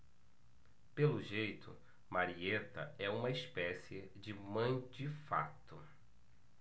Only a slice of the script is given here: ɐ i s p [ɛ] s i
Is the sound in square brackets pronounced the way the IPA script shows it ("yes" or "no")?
yes